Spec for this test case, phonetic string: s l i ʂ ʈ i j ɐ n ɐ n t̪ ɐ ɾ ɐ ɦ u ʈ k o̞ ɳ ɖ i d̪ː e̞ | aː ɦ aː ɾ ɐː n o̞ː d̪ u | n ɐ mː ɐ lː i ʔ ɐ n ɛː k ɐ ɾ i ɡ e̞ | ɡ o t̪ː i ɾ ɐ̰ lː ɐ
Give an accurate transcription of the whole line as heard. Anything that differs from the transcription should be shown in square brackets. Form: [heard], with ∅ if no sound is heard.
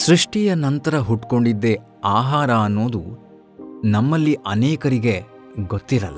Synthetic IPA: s [ɾ] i ʂ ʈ i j ɐ n ɐ n t̪ ɐ ɾ ɐ ɦ u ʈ k o̞ ɳ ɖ i d̪ː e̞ | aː ɦ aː ɾ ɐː [nː] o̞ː d̪ u | n ɐ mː ɐ lː i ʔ ɐ n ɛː k ɐ ɾ i ɡ e̞ | ɡ o t̪ː i ɾ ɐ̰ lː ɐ